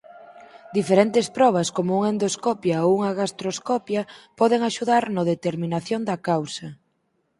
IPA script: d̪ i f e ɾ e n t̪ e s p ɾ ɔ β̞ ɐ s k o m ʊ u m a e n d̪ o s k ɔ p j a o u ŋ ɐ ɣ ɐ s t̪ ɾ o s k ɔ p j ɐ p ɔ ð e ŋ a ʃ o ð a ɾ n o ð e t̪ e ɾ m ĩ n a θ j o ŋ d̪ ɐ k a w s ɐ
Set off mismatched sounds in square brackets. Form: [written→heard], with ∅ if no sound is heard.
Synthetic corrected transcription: d̪ i f e ɾ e n t̪ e s p ɾ ɔ β̞ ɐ s k o m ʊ u [m→ŋ] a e n d̪ o s k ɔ p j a o u ŋ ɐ ɣ [ɐ→a] s t̪ ɾ o s k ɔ p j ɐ p ɔ ð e ŋ a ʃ [o→u] ð a ɾ n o ð e t̪ e ɾ m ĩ n a θ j o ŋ d̪ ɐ k a w s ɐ